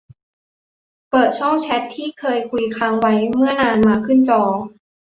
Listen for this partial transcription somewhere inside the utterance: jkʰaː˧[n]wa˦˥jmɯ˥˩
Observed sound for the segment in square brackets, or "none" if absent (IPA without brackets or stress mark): ŋ